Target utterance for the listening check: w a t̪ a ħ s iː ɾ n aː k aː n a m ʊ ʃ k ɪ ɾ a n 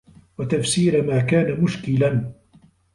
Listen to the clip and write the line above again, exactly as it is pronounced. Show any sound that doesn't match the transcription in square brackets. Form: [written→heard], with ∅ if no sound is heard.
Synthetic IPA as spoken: w a t̪ a [ħ→f] s iː ɾ [n→m] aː k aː n a m ʊ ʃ k ɪ [ɾ→l] a n